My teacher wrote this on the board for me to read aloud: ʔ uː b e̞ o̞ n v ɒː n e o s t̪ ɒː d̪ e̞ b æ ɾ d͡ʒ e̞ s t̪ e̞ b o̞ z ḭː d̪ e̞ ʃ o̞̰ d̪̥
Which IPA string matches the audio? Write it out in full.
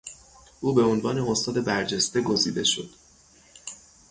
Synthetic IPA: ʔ uː b e̞ o̞ n v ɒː n e o s t̪ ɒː d̪ e̞ b æ ɾ d͡ʒ e̞ s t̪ e̞ ɡ o̞ z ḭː d̪ e̞ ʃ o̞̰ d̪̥